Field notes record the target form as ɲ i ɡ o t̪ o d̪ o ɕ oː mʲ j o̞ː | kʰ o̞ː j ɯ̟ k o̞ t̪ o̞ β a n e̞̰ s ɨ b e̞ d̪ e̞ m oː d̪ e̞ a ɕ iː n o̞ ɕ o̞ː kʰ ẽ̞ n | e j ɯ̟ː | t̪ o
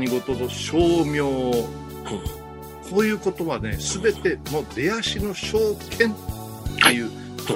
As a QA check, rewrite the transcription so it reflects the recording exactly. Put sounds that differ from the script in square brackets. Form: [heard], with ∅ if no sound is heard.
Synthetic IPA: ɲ i ɡ o t̪ o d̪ o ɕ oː mʲ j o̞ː | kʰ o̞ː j [ɯ̟ː] k o̞ t̪ o̞ β a n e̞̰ s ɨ b e̞ [t̪] e̞ m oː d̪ e̞ a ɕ [i] n o̞ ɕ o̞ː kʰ ẽ̞ n | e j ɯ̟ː | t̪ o